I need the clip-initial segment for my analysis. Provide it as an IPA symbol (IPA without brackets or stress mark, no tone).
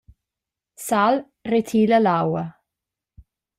s